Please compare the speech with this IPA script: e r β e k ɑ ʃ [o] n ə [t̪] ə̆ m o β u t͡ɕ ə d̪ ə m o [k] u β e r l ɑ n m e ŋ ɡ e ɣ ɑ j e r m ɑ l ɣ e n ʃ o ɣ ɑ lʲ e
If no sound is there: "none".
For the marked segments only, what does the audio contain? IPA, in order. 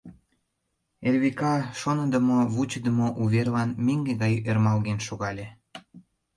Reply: o, d̪, ʔ

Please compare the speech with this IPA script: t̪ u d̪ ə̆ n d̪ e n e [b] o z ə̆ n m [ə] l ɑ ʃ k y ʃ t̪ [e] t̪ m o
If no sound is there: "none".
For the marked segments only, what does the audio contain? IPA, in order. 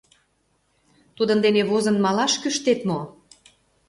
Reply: β, ɑ, e

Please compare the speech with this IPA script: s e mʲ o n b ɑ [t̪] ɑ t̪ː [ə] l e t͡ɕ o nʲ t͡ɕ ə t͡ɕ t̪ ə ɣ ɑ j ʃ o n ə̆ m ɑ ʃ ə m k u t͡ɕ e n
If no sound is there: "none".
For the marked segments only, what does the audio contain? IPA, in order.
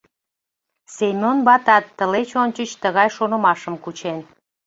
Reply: t̪, ə

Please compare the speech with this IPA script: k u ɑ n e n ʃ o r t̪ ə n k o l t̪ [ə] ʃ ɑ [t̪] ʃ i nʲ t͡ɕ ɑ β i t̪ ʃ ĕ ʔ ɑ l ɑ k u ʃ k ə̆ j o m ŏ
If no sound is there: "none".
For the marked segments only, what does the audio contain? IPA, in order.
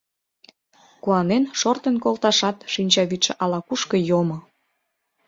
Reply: ɑ, t̪

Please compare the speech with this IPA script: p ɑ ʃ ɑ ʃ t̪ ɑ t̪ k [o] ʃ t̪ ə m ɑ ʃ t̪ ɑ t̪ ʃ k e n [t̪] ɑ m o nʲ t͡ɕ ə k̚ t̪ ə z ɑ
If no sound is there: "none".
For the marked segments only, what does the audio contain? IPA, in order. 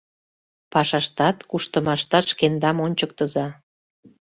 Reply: u, d̪

